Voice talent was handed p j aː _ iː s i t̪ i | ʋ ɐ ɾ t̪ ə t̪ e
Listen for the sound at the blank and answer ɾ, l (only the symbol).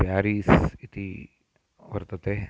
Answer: ɾ